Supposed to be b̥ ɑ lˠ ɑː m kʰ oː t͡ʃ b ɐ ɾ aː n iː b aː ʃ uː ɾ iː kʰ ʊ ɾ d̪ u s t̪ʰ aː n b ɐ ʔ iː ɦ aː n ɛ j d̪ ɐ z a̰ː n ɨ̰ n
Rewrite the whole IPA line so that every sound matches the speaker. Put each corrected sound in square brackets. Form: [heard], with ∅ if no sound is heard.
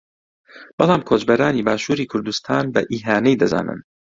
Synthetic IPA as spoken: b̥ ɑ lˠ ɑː m kʰ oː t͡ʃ b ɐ ɾ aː n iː b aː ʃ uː ɾ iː kʰ ʊ ɾ d̪ u s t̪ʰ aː n b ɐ ʔ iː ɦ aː n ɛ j d̪ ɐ z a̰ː n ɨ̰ n